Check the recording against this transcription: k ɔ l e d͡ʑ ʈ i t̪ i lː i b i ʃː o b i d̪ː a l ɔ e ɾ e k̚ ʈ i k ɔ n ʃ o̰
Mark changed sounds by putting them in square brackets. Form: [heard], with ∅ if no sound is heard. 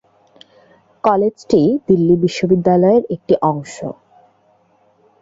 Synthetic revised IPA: k ɔ l e d͡ʑ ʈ i [d̪] i lː i b i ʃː o b i d̪ː a l ɔ e ɾ e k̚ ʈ i [ʔ] ɔ [ŋ] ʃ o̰